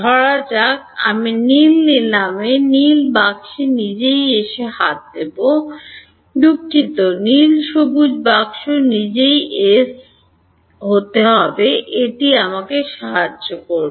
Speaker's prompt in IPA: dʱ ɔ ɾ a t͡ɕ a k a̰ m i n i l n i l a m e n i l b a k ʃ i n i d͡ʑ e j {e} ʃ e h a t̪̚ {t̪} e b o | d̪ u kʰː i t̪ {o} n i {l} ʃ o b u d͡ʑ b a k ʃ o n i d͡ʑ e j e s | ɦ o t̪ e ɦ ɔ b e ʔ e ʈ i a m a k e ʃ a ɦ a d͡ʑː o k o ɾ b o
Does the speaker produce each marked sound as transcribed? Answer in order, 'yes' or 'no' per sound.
yes, no, yes, yes

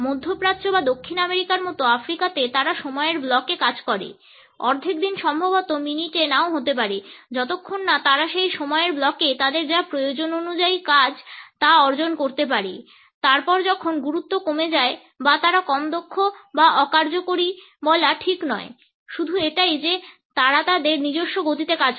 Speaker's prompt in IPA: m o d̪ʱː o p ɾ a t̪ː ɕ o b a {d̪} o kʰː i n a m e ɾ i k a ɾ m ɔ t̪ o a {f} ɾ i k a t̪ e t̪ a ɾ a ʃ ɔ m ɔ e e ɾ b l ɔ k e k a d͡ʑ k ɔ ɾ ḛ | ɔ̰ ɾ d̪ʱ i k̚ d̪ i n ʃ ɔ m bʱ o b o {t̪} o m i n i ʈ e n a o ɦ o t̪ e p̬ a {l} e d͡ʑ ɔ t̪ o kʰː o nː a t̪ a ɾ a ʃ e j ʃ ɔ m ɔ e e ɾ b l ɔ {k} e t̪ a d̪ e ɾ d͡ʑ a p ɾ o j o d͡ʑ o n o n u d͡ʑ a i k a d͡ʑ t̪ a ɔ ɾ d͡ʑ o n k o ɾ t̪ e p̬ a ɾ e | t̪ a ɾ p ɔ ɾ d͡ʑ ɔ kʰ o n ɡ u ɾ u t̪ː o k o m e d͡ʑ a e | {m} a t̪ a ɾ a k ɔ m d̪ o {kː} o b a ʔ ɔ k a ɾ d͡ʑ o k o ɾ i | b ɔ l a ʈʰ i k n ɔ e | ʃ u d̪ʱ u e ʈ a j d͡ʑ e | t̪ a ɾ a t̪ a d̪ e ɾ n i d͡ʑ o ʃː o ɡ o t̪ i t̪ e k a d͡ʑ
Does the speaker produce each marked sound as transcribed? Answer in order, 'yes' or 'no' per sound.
yes, yes, yes, no, yes, no, no

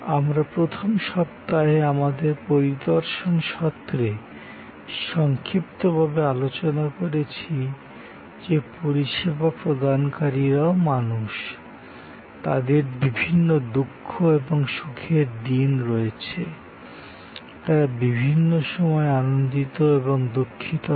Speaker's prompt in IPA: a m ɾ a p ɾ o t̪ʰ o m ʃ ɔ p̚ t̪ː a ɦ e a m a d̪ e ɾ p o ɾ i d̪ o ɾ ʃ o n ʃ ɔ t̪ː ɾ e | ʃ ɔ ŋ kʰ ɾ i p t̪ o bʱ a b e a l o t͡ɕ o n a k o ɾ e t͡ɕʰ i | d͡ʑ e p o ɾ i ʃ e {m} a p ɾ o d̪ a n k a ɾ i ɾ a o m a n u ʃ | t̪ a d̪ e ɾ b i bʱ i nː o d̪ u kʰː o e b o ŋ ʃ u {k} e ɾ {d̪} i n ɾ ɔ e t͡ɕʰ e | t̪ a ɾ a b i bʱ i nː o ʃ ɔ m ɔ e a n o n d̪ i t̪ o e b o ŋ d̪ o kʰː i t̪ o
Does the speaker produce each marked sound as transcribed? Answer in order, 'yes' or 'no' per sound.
no, no, yes

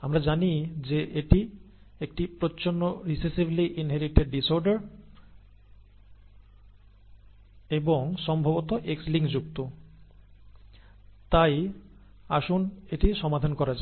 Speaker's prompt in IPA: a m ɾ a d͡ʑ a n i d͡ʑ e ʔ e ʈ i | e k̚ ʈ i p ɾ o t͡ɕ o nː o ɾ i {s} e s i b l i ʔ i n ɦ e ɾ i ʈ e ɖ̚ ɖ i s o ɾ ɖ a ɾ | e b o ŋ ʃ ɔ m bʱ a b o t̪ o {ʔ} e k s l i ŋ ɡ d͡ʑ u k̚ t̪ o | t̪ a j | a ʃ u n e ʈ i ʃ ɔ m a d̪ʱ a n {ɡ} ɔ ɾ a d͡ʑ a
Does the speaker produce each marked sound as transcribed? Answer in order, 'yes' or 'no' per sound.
yes, yes, no

